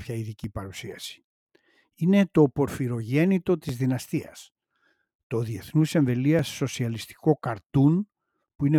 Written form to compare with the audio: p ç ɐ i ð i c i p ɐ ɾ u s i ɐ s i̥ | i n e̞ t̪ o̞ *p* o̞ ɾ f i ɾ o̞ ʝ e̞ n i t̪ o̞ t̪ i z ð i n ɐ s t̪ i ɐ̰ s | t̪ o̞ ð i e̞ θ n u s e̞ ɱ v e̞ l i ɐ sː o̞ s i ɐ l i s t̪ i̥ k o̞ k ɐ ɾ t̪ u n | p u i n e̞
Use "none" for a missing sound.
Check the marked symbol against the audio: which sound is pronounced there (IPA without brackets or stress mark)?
p